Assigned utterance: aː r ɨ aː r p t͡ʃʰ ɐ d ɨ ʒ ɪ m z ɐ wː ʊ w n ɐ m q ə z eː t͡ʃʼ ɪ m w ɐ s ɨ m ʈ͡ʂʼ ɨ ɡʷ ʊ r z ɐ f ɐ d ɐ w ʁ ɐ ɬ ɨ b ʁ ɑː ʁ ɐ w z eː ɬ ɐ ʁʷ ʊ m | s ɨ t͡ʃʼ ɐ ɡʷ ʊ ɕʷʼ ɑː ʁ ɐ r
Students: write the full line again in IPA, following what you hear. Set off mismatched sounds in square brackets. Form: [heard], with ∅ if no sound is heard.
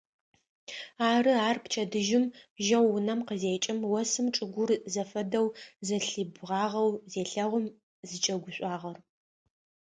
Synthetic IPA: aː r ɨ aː r p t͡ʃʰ ɐ d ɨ ʒ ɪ m [ʒ] ɐ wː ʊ [∅] n ɐ m q ə z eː t͡ʃʼ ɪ m w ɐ s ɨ m ʈ͡ʂʼ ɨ ɡʷ ʊ r z ɐ f ɐ d ɐ w [z] ɐ ɬ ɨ b ʁ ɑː ʁ ɐ w z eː ɬ ɐ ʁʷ ʊ m | [z] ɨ t͡ʃʼ ɐ ɡʷ ʊ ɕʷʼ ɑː ʁ ɐ r